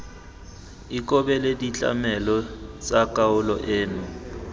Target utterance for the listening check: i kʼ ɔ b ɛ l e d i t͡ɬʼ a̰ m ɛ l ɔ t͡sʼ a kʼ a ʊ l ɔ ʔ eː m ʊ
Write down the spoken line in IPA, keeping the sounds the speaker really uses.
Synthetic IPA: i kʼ ɔ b ɛ l e d i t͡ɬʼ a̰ m ɛ l ɔ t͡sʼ a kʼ a ʊ l ɔ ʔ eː n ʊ